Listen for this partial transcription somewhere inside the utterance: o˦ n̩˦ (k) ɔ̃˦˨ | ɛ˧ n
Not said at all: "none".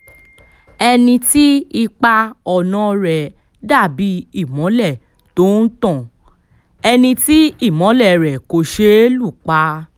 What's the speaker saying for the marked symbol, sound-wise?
t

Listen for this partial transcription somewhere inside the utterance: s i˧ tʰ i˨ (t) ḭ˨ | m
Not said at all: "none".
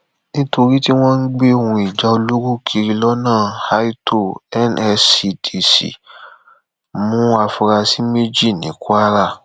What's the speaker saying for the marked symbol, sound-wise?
s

